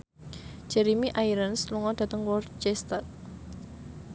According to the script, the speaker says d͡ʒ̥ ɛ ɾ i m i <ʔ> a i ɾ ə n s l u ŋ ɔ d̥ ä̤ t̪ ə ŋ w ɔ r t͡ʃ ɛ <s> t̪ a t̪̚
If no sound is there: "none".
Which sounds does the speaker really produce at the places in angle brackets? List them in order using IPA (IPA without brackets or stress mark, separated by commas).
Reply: ʔ, s